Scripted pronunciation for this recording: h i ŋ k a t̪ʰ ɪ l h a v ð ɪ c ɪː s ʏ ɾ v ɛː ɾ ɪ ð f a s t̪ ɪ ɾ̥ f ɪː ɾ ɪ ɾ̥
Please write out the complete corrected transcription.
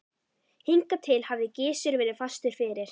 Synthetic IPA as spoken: h i ŋ k a t̪ʰ ɪ l h a v ð ɪ c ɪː s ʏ ɾ v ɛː ɾ ɪ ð f a s t̪ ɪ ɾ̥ f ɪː ɾ ɪ ɾ̥